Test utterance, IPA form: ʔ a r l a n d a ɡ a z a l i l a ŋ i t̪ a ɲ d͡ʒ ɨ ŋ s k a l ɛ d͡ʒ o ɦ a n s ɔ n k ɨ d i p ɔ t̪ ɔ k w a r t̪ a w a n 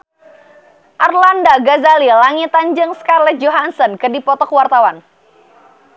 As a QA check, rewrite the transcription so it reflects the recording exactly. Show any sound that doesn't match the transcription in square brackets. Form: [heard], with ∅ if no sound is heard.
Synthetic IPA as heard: ʔ a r l a n d a ɡ a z a l i l a ŋ i t̪ a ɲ d͡ʒ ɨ ŋ s k a l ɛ d͡ʒ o ɦ a n s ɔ n k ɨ d i p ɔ t̪ ɔ k w a r t̪ a w a n